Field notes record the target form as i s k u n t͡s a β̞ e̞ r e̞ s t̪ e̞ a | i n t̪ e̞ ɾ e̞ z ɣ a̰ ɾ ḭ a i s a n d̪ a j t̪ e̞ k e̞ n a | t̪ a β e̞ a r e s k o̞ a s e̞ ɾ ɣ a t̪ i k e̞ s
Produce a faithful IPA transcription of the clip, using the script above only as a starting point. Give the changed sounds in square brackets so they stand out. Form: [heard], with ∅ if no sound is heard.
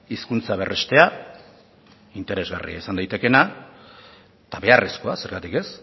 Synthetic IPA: i s k u n t͡s a β̞ e̞ r e̞ s t̪ e̞ a | i n t̪ e̞ ɾ e̞ z ɣ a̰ [r] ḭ a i s a n d̪ a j t̪ e̞ k e̞ n a | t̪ a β e̞ a r e s k o̞ a s e̞ ɾ ɣ a t̪ i k e̞ s